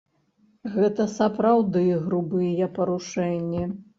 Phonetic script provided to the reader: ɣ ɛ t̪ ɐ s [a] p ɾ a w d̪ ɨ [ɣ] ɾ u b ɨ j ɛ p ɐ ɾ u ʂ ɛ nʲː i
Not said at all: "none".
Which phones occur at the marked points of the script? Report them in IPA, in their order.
ɐ, ɣ

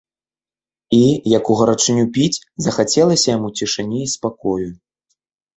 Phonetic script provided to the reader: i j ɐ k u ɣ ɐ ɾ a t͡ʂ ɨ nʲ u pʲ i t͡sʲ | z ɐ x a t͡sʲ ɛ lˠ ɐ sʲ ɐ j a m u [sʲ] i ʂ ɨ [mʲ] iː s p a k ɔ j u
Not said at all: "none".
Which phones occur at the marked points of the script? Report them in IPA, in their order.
t͡sʲ, nʲ

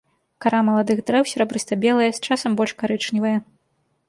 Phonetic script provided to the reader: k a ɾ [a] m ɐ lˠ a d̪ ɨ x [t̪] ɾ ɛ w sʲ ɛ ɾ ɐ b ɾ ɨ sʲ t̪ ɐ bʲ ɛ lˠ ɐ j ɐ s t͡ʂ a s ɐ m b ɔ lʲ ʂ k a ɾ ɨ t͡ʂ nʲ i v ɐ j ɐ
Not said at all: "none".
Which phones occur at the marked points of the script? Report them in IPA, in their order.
a, d̪

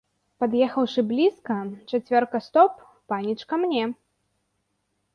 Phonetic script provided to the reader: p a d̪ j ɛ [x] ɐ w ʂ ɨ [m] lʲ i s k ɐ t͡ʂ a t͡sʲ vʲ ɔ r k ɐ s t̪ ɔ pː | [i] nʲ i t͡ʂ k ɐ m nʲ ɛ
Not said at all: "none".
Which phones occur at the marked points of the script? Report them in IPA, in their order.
x, b, a

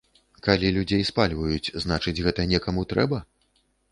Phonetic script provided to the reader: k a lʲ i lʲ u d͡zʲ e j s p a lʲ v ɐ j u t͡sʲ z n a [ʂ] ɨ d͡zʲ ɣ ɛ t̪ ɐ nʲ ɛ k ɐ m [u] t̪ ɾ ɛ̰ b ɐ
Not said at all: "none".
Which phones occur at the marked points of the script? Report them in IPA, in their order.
t͡ʂ, u

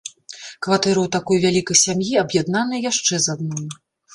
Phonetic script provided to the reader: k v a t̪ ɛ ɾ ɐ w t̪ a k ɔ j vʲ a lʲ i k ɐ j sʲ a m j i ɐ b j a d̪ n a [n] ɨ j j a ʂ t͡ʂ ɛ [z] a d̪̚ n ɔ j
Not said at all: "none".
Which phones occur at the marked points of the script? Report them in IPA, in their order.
n, z

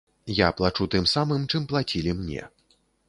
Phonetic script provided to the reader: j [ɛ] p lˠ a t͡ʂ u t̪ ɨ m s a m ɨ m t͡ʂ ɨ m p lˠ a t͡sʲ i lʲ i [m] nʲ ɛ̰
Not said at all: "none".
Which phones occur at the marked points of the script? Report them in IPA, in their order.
a, m

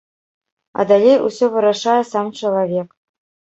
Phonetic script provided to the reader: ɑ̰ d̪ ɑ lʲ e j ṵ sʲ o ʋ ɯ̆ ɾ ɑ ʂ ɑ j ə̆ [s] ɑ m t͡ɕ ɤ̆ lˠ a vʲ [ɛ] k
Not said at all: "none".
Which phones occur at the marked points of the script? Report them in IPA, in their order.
s, e

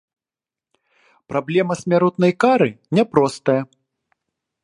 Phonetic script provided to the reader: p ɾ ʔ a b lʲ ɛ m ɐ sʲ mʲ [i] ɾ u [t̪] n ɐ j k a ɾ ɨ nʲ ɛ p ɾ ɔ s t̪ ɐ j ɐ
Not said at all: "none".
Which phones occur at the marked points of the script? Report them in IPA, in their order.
a, t̪

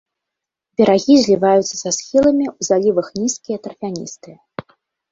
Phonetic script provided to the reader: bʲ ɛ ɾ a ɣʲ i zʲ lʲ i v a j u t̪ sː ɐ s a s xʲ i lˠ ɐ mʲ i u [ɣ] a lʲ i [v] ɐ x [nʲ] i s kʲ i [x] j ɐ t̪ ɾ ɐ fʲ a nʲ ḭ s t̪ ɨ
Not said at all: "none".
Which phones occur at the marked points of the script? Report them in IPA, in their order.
z, v, nʲ, none

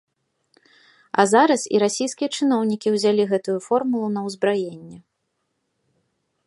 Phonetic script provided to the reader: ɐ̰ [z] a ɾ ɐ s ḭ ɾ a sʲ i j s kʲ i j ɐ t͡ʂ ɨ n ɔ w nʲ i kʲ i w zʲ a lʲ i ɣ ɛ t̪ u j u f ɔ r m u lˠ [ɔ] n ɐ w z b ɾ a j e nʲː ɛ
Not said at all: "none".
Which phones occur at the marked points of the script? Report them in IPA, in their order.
z, u

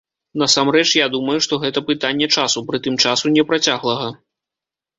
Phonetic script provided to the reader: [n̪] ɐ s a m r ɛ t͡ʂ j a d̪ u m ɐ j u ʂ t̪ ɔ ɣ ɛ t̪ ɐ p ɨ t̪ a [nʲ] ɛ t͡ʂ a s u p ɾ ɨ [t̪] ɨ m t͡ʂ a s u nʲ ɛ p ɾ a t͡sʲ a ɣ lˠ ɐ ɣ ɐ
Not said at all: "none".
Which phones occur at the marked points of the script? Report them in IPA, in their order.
n̪, nʲː, t̪

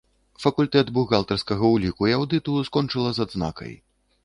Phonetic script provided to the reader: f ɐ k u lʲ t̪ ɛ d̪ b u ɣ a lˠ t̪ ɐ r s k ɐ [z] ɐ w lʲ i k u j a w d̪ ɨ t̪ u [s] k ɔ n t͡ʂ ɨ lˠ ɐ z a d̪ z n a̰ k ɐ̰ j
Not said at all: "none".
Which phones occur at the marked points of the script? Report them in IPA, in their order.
ɣ, s

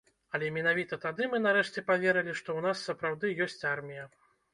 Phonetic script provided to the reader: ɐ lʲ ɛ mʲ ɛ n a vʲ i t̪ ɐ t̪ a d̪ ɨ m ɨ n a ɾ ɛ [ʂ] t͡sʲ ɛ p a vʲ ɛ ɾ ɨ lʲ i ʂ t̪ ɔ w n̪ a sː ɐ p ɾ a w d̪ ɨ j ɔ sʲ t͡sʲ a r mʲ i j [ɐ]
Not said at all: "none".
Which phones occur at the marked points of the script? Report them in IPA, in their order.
ʂ, ɐ

